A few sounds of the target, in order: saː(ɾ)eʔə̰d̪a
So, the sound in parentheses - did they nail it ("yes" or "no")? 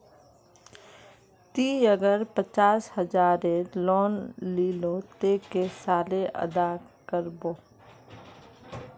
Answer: no